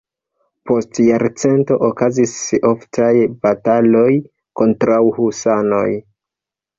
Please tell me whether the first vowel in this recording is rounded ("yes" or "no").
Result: yes